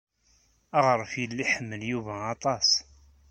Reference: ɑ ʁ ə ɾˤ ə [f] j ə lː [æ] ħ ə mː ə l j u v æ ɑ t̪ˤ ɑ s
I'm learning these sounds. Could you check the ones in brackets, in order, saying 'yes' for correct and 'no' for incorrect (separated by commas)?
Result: yes, no